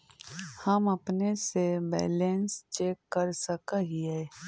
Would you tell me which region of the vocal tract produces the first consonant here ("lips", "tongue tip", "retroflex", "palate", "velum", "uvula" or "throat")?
throat